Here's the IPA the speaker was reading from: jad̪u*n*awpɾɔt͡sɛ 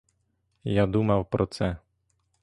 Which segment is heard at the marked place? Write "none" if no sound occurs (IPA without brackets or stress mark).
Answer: m